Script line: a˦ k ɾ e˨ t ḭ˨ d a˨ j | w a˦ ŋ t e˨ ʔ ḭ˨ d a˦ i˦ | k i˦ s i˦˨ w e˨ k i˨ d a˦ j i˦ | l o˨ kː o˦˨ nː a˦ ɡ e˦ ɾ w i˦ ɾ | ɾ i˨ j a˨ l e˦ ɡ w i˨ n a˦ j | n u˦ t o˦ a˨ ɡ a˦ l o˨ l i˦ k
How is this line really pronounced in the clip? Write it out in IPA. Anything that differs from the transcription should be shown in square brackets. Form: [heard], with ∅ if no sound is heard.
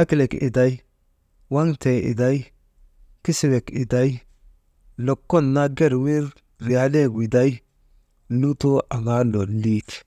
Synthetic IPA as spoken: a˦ k [l] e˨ [k] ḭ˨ d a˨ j | w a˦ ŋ t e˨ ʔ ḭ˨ d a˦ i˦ | k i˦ s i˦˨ w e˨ k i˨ d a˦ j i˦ | l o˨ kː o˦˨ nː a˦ ɡ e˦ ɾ w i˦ ɾ | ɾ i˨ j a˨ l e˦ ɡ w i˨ [d] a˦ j | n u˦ t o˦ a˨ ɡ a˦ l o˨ l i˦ [t]